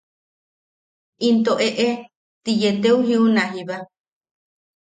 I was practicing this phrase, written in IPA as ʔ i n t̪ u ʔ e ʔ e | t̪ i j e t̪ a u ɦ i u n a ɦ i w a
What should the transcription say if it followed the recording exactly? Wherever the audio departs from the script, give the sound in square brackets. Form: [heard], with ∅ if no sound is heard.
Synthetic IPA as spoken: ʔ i n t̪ [o] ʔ e ʔ e | t̪ i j e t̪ [e] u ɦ i u n a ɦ i [β] a